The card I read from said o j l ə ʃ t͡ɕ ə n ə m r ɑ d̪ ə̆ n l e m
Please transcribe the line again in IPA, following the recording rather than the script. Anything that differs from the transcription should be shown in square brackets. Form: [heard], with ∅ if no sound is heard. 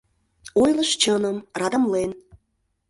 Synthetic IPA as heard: o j l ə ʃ t͡ɕ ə n ə m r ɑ d̪ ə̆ [m] l e [n]

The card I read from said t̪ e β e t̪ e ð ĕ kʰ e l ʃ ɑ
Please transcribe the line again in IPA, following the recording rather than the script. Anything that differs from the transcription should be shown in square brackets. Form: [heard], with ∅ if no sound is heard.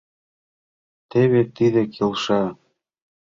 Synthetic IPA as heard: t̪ e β e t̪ [i] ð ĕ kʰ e l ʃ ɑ

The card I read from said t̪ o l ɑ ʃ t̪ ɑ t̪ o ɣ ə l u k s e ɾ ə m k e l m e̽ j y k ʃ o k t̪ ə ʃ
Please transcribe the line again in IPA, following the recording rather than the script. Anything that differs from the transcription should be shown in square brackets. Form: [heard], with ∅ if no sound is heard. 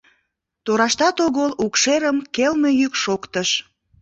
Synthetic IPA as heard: t̪ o [ɾ] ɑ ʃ t̪ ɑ t̪ o ɣ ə l u k [ʃ] e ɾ ə m k e l m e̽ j y k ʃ o k t̪ ə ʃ

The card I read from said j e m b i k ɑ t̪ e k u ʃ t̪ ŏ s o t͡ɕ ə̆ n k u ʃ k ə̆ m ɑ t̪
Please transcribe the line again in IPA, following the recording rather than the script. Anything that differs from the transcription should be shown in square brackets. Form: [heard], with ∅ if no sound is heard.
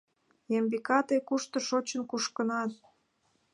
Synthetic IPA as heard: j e m b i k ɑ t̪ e k u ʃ t̪ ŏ [ʃ] o t͡ɕ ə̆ n k u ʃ k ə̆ [n] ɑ t̪

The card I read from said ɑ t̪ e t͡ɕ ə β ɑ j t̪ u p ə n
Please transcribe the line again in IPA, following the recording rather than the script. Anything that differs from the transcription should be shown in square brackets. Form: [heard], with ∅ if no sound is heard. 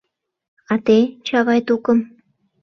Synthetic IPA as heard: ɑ t̪ e t͡ɕ [ɑ] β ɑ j t̪ u [k] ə [m]

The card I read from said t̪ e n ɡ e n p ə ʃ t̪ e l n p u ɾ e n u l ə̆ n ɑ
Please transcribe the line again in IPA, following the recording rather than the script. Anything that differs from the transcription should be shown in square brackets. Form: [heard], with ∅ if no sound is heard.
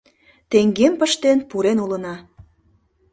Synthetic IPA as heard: t̪ e [ŋ] ɡ e [m] p ə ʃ t̪ e [∅] n p u ɾ e n u l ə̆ n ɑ

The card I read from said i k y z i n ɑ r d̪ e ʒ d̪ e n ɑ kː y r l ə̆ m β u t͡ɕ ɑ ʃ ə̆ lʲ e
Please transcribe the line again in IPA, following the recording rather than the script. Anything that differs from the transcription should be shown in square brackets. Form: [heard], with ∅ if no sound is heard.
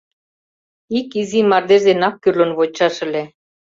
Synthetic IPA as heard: i k [i] z i [m] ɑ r d̪ e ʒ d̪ e n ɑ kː y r l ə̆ [n] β [o] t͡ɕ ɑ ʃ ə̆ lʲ e

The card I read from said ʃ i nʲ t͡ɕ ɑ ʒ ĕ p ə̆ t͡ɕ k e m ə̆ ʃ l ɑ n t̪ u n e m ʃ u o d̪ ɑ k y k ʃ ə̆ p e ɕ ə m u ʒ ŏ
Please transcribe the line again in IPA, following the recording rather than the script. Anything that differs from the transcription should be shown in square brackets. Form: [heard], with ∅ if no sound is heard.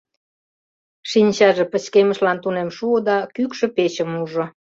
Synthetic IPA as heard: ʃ i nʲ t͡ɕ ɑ ʒ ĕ p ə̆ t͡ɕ k e m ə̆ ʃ l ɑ n t̪ u n e m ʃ u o d̪ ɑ k y k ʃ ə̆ p e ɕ ə m u ʒ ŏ

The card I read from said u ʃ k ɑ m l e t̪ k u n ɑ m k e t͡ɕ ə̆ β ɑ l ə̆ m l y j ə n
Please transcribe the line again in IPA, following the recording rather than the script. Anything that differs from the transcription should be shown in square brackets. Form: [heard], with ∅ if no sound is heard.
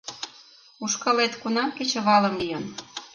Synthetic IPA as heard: u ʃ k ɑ [∅] l e t̪ k u n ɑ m k e t͡ɕ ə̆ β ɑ l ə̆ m l [i] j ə n

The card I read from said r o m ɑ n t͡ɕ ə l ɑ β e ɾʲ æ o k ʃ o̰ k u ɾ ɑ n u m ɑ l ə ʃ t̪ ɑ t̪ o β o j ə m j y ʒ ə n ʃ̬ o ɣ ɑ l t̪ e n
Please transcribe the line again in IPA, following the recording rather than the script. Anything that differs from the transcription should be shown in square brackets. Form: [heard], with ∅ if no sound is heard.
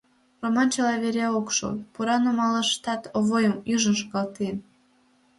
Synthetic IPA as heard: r o m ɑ n t͡ɕ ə l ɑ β e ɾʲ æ o k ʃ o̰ [p] u ɾ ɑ n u m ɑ l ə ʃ t̪ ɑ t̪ o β o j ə m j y ʒ ə n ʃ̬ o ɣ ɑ l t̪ e n

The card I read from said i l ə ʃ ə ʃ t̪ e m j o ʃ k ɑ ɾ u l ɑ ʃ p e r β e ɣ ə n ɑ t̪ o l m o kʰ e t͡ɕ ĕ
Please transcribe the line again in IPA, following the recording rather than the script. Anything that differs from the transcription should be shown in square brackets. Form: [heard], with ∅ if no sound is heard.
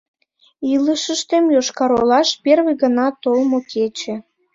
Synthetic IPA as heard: i l ə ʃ ə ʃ t̪ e m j o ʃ k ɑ ɾ [o] l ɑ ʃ p e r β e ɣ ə n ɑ t̪ o l m o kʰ e t͡ɕ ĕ

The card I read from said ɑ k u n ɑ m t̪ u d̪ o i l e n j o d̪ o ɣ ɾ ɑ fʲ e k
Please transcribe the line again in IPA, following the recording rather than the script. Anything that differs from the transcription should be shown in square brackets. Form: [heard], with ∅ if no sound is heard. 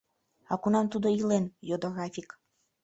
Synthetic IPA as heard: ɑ k u n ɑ m t̪ u d̪ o i l e n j o d̪ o ɣ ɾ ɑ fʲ [i] k

